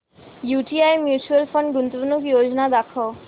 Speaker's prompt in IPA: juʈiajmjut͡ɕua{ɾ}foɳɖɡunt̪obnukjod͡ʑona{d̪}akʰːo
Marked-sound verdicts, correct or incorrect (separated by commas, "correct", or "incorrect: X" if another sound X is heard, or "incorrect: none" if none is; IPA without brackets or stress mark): incorrect: l, correct